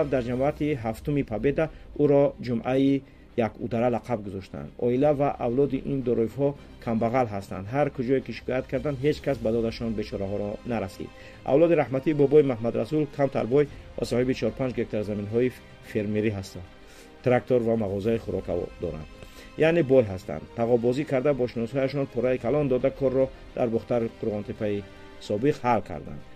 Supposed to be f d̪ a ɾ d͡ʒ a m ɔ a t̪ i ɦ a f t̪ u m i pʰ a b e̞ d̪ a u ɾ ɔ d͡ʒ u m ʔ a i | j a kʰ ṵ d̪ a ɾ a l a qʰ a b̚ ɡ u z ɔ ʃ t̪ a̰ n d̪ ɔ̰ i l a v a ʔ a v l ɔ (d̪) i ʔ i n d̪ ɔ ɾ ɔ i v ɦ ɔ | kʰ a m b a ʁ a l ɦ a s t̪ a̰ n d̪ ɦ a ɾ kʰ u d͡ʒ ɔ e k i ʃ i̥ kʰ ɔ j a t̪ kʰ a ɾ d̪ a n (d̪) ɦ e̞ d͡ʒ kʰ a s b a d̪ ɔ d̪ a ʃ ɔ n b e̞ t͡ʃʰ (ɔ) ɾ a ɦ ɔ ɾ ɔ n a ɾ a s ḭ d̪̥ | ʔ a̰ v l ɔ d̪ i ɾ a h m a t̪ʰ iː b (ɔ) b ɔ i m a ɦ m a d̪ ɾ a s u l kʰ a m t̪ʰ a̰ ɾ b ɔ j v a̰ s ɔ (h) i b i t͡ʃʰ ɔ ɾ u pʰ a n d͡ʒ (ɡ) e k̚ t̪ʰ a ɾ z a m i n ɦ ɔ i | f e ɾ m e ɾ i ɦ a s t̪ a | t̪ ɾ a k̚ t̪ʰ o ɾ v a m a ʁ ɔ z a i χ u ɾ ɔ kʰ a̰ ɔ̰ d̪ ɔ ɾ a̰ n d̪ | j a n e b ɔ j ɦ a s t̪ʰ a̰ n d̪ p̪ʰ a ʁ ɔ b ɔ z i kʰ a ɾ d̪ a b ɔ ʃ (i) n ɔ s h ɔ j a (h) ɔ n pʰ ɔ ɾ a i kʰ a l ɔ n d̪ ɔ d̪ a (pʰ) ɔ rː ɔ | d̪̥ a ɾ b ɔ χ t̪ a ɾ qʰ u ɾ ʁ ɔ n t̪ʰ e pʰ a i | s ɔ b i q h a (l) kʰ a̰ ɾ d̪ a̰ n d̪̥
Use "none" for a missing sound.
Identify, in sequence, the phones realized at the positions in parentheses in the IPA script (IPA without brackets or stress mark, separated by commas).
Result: d̪, d̪, ɔ, ɔ, h, ɡ, i, ʃ, kʰ, l